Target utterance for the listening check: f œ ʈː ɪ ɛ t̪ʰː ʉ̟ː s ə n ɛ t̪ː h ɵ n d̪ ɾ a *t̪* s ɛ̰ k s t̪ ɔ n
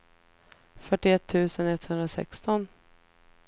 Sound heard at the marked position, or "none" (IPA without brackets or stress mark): none